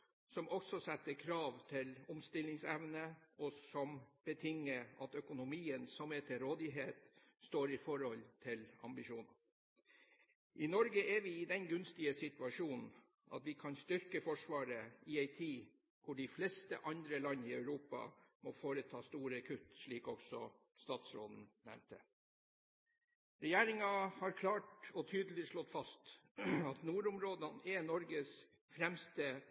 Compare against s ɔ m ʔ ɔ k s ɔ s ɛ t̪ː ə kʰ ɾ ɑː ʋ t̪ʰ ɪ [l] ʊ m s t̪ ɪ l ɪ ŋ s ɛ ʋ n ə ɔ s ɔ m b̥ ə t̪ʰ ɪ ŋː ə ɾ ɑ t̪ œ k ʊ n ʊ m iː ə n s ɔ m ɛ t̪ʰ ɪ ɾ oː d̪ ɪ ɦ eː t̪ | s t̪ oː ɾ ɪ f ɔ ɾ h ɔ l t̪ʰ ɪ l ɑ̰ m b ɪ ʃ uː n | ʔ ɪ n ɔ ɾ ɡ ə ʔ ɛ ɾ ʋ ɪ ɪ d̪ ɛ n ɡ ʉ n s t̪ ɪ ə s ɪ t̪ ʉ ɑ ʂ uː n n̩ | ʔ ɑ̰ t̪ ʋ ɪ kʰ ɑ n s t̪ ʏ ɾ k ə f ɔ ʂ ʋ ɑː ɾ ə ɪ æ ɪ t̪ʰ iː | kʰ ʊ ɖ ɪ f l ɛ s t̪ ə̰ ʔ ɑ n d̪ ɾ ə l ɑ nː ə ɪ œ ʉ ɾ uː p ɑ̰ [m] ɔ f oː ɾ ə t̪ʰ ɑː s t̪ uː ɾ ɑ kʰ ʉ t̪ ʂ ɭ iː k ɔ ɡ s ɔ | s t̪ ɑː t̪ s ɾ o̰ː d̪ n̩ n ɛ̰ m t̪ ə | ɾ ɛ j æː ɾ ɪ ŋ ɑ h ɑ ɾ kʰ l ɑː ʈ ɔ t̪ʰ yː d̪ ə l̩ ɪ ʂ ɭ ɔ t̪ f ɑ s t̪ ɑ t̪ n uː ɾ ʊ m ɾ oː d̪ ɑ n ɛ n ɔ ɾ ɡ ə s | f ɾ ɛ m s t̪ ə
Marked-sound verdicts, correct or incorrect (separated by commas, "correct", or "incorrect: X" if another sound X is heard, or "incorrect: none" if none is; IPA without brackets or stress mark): correct, correct